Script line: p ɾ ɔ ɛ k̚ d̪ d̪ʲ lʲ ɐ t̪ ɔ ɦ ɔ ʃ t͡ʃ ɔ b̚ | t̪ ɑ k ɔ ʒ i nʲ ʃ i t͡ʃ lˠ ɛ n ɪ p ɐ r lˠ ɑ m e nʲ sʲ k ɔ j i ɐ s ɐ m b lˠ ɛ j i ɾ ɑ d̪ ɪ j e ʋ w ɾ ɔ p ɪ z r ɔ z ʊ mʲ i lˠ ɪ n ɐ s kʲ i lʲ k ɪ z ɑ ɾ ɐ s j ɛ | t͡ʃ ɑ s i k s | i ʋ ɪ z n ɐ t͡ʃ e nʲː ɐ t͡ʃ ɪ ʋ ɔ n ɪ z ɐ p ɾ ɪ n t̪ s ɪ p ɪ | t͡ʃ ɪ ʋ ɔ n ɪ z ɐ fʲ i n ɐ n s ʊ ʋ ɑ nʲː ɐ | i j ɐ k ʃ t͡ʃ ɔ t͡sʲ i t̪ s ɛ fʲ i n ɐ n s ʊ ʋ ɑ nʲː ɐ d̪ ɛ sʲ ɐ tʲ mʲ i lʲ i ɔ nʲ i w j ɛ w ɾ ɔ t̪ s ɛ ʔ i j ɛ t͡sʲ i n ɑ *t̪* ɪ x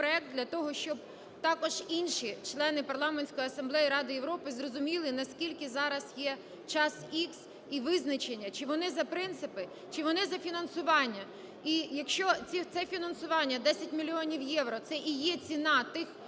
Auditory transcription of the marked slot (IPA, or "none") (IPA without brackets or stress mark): t̪